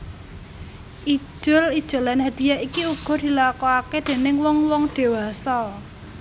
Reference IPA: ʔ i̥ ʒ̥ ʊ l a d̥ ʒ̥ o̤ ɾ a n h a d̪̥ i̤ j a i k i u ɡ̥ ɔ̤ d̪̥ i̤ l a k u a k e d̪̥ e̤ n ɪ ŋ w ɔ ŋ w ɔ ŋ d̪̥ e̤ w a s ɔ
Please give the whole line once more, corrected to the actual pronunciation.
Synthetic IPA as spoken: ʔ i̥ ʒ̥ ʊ l i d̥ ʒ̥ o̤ l a n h a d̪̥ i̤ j a i k i u ɡ̥ ɔ̤ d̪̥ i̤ l a k ɔ a k e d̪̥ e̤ n ɪ ŋ w ɔ ŋ w ɔ ŋ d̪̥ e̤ w a s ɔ